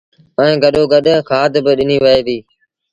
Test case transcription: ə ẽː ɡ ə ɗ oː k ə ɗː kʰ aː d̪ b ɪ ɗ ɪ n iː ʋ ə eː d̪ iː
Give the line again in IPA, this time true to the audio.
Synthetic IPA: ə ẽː ɡ ə ɗ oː ɡ ə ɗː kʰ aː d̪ b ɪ ɗ ɪ n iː ʋ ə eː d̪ iː

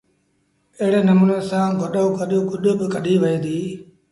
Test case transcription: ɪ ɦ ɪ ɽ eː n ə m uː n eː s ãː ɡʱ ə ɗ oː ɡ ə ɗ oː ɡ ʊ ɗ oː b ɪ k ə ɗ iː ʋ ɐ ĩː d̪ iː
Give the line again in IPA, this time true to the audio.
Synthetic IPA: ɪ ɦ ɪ ɽ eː n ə m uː n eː s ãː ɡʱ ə ɗ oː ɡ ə ɗ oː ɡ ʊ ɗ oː b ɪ k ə ɗ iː ʋ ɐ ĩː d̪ iː

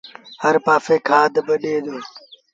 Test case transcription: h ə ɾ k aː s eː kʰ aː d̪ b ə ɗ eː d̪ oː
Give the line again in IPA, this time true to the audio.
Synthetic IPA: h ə ɾ p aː f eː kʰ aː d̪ b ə ɗ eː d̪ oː

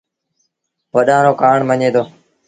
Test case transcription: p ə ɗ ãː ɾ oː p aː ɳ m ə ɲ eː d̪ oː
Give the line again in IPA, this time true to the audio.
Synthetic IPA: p ə ɗ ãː ɾ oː k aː ɳ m ə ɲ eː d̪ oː

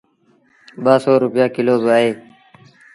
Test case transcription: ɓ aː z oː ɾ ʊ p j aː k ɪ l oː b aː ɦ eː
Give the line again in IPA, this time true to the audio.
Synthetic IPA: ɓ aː s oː ɾ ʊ p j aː k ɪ l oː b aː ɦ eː

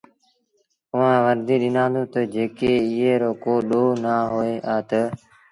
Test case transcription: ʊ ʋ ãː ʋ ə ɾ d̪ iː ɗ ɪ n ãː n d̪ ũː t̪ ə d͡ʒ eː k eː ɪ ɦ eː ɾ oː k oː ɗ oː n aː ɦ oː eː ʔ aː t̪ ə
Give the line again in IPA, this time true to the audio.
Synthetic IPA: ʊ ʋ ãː ʋ ə ɾ d̪ iː ɗ ɪ n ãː n d̪ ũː t̪ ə d͡ʒ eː k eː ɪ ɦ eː ɾ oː k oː ɗ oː n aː ɦ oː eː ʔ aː t̪ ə

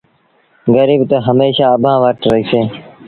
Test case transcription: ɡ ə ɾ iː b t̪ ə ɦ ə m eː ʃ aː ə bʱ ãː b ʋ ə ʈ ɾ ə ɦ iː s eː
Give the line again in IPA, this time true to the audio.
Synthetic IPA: ɡ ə ɾ iː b t̪ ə ɦ ə m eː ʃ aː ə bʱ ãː ʋ ə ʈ ɾ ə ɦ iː s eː

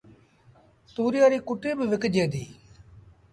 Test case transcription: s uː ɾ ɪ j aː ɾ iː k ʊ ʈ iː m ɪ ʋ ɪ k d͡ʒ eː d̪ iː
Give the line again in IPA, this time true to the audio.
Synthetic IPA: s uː ɾ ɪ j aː ɾ iː k ʊ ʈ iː b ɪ ʋ ɪ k d͡ʒ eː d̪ iː

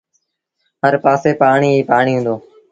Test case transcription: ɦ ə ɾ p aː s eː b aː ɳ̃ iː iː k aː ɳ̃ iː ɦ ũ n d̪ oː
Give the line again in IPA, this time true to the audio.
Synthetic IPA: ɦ ə ɾ p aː s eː p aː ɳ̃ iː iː p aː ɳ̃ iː ɦ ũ n d̪ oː

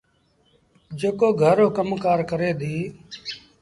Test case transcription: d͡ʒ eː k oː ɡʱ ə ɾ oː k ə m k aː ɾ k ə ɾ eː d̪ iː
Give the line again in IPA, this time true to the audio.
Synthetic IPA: d͡ʒ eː k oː ɡʱ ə ɾ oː k ə m k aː ɾ k ə ɾ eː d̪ iː

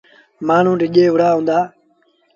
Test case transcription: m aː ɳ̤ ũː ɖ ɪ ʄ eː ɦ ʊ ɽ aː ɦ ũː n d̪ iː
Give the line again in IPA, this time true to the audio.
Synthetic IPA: m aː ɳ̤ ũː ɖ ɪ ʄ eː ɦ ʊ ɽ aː ɦ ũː n d̪ aː

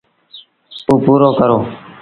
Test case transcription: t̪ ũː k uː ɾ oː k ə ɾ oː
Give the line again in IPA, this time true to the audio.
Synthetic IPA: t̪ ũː p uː ɾ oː k ə ɾ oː

